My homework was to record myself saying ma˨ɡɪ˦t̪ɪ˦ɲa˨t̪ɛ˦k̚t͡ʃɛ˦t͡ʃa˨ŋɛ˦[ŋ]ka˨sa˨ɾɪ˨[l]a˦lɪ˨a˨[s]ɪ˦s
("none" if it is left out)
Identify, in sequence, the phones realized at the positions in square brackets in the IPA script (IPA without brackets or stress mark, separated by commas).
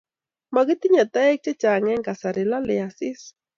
ŋ, l, s